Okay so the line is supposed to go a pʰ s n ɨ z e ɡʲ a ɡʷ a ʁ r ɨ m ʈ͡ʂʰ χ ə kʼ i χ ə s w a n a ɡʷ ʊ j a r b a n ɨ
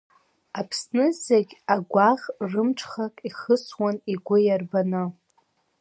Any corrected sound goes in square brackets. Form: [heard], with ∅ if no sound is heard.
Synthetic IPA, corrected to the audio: a pʰ s n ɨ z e ɡʲ a ɡʷ a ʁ r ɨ m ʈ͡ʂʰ χ [a] kʼ i χ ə s w a n [i] ɡʷ ʊ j a r b a n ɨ